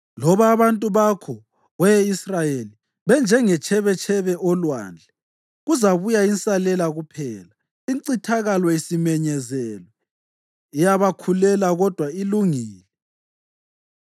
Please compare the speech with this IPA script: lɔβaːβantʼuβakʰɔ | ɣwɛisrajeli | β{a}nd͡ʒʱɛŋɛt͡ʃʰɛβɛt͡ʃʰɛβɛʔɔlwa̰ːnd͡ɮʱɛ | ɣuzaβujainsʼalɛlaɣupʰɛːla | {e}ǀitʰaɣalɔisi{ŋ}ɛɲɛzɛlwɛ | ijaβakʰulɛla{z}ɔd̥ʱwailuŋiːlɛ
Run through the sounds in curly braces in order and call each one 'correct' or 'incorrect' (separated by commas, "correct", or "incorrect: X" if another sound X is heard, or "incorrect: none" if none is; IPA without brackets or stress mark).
incorrect: ɛ, incorrect: i, incorrect: m, incorrect: ɣ